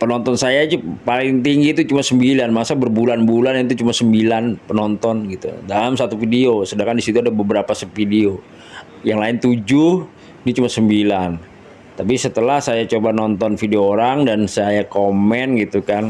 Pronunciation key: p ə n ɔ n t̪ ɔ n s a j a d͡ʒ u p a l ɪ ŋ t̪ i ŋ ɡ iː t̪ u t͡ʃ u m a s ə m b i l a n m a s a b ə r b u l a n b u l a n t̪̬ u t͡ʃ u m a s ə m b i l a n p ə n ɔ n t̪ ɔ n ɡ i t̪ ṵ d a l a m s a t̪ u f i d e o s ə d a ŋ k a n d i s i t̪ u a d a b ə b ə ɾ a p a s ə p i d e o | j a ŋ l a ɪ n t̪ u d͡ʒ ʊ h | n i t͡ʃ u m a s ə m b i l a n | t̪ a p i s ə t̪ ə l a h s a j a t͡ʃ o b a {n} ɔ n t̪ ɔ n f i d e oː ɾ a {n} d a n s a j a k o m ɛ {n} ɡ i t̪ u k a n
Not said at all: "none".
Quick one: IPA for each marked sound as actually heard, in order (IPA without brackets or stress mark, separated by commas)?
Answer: n, ŋ, n